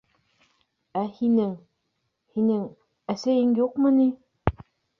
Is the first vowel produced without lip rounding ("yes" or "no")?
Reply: yes